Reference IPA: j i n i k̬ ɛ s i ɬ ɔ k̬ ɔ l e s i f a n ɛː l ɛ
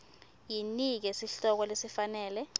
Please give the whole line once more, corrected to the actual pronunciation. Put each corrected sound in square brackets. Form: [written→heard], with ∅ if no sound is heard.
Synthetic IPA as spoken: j i n i k̬ ɛ s i ɬ ɔ k̬ ɔ l e s i f a n ɛː l ɛ